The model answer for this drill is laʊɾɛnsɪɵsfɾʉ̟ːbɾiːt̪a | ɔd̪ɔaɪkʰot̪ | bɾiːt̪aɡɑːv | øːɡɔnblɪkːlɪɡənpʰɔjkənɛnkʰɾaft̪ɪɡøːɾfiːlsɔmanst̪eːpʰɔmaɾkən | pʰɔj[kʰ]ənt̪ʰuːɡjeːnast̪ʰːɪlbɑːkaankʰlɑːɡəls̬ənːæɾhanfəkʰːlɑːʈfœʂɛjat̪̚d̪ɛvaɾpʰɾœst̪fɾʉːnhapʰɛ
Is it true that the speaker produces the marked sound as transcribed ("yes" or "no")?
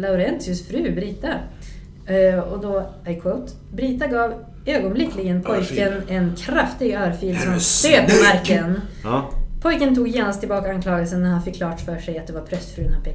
no